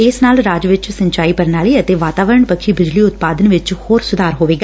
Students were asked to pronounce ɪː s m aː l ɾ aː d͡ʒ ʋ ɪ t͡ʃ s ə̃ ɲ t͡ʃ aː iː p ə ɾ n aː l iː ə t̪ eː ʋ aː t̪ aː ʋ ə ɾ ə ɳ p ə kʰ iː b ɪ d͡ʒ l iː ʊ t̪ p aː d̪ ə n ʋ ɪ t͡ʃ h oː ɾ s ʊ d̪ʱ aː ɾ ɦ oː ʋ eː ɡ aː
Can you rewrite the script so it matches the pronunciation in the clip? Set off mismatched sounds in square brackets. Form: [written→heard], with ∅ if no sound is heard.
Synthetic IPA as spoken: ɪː s [m→n] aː l ɾ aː d͡ʒ ʋ ɪ t͡ʃ s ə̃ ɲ t͡ʃ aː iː p ə ɾ n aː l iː ə t̪ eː ʋ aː t̪ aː ʋ ə ɾ ə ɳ p ə kʰ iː b ɪ d͡ʒ l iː ʊ t̪ p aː d̪ ə n ʋ ɪ t͡ʃ h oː ɾ s ʊ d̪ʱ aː ɾ ɦ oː ʋ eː ɡ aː